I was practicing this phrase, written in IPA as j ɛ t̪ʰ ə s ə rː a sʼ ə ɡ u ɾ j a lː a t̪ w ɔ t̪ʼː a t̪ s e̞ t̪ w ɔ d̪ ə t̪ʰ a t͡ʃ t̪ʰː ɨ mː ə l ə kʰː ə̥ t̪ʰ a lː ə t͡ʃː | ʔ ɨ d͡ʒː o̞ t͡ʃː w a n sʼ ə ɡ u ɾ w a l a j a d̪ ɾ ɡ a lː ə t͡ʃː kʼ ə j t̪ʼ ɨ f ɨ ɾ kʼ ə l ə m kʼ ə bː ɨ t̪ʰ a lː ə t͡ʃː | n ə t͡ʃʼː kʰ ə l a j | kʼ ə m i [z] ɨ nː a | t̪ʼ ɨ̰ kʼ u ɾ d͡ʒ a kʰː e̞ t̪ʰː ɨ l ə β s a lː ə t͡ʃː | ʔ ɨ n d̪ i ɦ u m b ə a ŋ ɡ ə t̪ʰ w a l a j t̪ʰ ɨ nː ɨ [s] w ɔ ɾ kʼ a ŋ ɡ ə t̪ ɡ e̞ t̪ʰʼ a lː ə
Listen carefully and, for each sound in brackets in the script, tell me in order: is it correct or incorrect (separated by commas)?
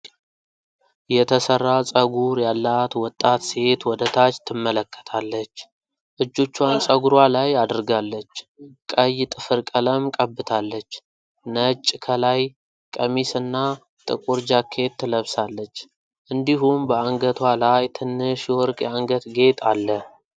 incorrect, incorrect